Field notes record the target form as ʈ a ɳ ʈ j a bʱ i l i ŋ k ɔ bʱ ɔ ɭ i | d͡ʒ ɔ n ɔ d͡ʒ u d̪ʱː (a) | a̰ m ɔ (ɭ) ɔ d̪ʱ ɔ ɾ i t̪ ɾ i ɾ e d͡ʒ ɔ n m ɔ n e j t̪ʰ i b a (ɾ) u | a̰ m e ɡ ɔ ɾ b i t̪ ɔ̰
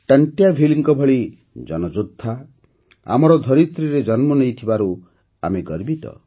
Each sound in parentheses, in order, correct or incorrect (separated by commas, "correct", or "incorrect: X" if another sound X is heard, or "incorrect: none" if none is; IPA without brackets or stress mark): correct, incorrect: ɾ, correct